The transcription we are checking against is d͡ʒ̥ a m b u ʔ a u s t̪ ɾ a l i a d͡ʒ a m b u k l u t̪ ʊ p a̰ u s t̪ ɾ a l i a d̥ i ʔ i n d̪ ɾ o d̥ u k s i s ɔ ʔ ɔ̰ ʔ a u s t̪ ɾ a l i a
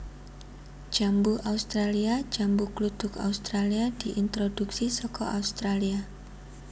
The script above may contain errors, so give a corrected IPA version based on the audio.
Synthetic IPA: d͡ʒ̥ a m b u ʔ a u s t̪ ɾ a l i a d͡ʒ a m b u k l u t̪ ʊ k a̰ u s t̪ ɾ a l i a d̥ i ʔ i n t̪ ɾ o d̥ u k s i s ɔ k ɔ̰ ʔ a u s t̪ ɾ a l i a